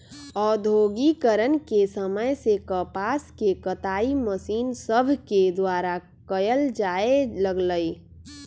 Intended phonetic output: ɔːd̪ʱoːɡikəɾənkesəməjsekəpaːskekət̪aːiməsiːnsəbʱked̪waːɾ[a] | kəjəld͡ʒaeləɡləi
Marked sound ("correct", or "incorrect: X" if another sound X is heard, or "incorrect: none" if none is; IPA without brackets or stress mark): correct